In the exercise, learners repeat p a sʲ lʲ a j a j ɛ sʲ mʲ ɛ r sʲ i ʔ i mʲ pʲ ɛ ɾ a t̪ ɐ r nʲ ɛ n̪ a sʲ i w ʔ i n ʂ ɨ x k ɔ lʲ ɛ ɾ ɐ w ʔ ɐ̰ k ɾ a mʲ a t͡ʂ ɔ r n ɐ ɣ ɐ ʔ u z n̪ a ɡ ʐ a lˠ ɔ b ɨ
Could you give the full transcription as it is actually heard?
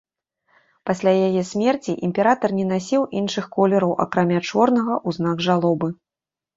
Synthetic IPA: p a sʲ lʲ a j a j ɛ sʲ mʲ ɛ r t͡sʲ i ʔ i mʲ pʲ ɛ ɾ a t̪ ɐ r nʲ ɛ n̪ a sʲ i w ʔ i n ʂ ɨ x k ɔ lʲ ɛ ɾ ɐ w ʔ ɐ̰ k ɾ a mʲ a t͡ʂ ɔ r n ɐ ɣ ɐ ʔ u z n̪ a ɡ ʐ a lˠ ɔ b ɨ